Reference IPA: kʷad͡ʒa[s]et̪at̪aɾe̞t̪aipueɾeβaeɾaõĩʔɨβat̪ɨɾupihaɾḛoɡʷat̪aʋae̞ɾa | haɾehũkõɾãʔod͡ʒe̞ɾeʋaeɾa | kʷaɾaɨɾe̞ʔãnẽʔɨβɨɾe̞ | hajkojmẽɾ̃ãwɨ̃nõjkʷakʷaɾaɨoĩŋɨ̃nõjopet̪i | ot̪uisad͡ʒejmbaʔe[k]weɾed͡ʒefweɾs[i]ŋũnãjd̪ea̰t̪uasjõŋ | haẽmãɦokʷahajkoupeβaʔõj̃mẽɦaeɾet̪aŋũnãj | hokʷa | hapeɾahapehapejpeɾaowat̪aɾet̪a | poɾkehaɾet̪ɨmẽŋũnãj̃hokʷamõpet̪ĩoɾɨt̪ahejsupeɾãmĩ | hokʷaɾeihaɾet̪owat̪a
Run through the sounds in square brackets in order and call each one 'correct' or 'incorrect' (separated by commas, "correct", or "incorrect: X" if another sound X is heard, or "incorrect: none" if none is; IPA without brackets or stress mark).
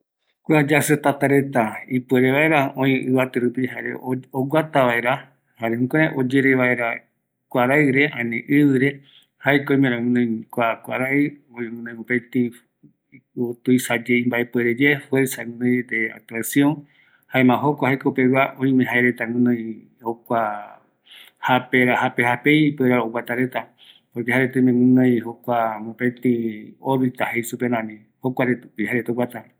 correct, incorrect: p, incorrect: a